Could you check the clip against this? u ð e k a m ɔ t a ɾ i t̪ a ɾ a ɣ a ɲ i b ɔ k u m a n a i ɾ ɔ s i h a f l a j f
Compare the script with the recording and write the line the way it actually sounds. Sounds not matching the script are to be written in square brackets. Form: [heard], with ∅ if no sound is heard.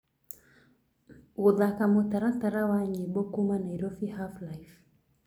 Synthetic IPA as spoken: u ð [a] k a m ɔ t a ɾ [a] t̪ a ɾ a [w] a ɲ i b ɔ k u m a n a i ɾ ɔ [f] i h a f l a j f